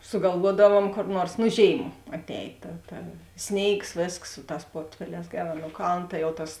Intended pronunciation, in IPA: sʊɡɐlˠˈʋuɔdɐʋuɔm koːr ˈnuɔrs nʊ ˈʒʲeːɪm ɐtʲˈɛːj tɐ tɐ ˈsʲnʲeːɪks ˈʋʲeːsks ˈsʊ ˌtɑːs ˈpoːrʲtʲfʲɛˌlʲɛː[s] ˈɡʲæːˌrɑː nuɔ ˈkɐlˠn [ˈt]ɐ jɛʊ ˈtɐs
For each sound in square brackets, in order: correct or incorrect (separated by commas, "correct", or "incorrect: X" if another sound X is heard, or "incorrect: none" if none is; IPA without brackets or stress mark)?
correct, correct